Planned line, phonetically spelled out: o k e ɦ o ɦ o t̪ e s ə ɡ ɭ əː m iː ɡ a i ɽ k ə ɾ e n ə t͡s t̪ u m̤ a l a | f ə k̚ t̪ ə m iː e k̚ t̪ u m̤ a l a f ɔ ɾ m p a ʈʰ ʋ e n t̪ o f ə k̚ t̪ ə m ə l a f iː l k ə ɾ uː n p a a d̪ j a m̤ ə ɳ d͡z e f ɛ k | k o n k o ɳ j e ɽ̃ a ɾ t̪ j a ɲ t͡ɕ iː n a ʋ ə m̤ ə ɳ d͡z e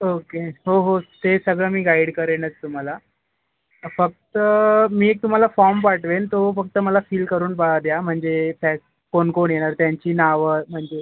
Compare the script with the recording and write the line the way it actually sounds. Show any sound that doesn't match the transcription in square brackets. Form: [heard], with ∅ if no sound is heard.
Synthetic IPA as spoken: o k e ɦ o ɦ o t̪ e s ə ɡ ɭ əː m iː ɡ a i ɽ k ə ɾ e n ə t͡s t̪ u m̤ a l a | f ə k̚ t̪ ə m iː e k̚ t̪ u m̤ a l a f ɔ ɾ m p a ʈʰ ʋ e n t̪ o f ə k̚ t̪ ə m ə l a f iː l k ə ɾ uː n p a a d̪ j a m̤ ə ɳ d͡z e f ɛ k | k o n k o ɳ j e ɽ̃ a ɾ t̪ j a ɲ t͡ɕ iː n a ʋ ə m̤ ə ɳ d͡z e